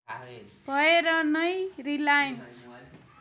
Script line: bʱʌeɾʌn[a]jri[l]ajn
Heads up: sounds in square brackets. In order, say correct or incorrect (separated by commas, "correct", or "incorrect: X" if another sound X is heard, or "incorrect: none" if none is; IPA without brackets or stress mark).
incorrect: ʌ, correct